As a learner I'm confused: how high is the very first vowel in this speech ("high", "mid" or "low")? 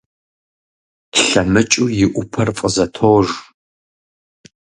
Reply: low